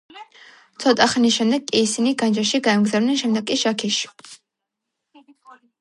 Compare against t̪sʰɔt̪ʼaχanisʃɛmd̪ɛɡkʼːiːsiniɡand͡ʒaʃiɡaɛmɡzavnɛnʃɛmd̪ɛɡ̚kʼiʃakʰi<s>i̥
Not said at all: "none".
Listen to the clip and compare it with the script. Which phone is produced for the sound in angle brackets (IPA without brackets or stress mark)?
ʃ